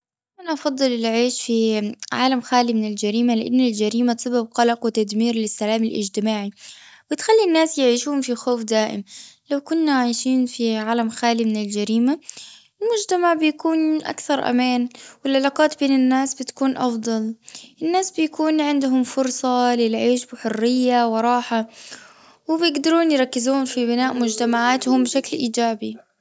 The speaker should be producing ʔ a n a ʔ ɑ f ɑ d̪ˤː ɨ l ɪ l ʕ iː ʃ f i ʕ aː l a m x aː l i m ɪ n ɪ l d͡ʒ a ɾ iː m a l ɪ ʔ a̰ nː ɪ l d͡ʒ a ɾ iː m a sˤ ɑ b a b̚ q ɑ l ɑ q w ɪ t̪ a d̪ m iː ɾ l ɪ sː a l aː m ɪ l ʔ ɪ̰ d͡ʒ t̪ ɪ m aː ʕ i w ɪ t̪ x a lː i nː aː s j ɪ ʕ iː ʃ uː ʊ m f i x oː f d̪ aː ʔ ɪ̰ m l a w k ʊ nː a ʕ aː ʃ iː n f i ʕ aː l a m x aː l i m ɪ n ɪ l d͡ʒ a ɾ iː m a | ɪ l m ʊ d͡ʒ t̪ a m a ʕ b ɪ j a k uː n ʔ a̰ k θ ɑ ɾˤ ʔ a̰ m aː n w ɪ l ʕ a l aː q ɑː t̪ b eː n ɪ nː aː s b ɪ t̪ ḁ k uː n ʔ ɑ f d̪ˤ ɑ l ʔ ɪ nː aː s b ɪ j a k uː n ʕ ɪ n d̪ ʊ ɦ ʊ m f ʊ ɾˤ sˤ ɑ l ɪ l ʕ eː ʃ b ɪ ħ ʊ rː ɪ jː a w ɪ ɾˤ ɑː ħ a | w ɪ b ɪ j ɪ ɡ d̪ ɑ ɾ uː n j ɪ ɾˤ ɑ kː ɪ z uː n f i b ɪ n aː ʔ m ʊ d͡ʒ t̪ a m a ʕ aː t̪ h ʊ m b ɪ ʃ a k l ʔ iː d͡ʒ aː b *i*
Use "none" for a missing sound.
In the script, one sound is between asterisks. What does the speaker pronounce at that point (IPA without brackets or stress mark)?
i